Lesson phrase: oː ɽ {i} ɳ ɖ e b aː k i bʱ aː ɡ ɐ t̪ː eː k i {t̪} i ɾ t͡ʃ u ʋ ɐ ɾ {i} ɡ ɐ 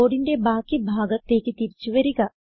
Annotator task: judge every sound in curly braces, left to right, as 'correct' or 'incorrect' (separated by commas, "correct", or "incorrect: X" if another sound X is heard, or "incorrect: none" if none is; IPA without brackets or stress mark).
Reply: correct, correct, correct